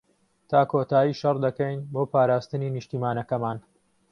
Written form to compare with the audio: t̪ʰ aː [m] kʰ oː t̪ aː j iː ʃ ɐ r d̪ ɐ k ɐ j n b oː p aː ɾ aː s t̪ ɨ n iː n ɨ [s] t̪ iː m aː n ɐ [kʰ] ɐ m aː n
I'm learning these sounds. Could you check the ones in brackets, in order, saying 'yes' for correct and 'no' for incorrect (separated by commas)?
no, no, no